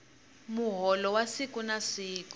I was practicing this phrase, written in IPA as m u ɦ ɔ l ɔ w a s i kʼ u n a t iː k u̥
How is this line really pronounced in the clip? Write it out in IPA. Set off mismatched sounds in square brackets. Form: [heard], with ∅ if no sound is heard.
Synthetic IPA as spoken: m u ɦ ɔ l ɔ w a s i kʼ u n a [s] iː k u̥